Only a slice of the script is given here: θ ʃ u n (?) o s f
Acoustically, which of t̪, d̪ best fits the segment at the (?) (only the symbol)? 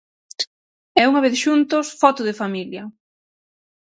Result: t̪